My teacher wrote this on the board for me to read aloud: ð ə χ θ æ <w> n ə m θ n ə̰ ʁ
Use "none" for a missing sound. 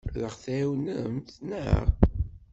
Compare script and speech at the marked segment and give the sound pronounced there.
w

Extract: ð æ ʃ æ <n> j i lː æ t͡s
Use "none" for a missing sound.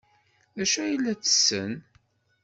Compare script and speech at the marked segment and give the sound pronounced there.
none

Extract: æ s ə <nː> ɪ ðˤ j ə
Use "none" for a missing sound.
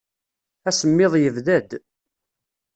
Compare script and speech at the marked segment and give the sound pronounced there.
mː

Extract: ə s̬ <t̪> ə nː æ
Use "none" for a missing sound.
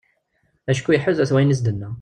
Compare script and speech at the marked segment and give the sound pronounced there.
d̪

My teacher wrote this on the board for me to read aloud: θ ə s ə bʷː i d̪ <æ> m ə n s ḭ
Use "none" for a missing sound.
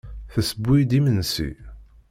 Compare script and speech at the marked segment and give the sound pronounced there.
i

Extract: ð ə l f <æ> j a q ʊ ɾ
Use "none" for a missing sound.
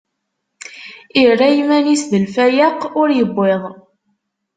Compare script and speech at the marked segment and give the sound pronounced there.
æ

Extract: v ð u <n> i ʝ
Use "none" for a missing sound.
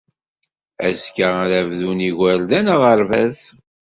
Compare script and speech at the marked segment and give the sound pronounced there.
n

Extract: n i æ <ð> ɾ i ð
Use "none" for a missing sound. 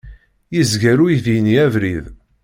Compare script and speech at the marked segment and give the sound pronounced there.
v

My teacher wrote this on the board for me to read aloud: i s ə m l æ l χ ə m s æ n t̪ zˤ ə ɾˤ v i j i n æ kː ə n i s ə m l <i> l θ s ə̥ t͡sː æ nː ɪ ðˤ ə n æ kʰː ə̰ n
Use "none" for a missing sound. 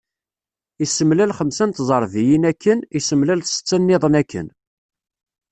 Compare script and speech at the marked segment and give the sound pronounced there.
æ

